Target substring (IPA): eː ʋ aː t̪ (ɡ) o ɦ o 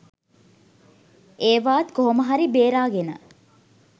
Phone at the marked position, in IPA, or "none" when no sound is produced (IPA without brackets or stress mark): k